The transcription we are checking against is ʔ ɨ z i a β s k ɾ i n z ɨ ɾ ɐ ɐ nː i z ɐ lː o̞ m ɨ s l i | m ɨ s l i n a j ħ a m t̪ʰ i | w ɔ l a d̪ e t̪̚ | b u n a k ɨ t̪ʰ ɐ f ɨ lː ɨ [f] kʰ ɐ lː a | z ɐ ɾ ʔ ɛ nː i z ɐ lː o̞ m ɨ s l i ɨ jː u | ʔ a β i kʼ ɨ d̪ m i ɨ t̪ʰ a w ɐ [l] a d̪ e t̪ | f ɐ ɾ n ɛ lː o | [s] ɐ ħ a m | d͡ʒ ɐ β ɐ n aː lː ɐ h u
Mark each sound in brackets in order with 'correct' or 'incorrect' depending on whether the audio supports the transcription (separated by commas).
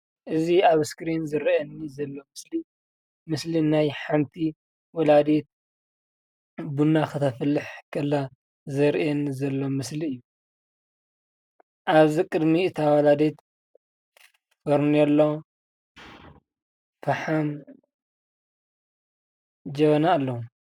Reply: incorrect, correct, incorrect